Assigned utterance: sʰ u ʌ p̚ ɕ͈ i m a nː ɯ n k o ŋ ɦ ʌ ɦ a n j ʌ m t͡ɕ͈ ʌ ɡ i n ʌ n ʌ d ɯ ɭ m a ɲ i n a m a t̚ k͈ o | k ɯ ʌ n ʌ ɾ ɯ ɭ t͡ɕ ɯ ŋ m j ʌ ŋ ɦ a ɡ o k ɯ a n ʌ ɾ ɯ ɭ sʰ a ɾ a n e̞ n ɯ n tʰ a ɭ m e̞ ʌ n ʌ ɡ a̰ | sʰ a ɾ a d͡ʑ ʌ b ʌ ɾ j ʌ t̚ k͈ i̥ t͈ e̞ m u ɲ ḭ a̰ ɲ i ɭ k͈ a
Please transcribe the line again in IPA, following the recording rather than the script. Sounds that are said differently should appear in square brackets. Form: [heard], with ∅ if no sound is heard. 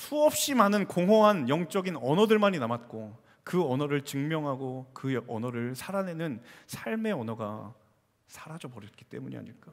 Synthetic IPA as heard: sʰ u ʌ p̚ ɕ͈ i m a [n] ɯ n k o ŋ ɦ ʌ ɦ a n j ʌ [ŋ] t͡ɕ͈ ʌ ɡ i n ʌ n ʌ d ɯ ɭ m a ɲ i n a m a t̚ k͈ o | k ɯ ʌ n ʌ ɾ ɯ ɭ t͡ɕ ɯ ŋ m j ʌ ŋ ɦ a ɡ o k ɯ [ʌ] n ʌ ɾ ɯ ɭ sʰ a ɾ a n e̞ n ɯ n [sʰ] a ɭ m e̞ ʌ n ʌ ɡ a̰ | sʰ a ɾ a d͡ʑ ʌ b ʌ ɾ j ʌ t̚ k͈ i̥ t͈ e̞ m u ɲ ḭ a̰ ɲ i ɭ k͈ a